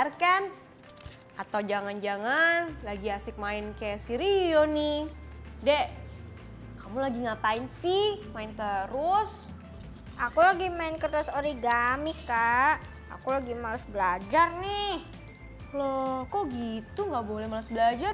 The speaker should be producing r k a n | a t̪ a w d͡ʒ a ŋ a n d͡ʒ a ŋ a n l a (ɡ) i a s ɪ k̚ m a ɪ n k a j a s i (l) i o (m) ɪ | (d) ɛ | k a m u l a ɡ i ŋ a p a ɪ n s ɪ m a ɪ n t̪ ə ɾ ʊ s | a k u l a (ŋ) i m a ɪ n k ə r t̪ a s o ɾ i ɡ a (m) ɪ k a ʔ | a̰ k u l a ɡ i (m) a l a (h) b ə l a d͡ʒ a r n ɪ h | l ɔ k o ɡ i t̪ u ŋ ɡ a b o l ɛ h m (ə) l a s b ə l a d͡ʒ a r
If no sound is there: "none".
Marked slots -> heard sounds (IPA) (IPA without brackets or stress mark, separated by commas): ɡ, ɾ, n, d, ɡ, m, m, s, a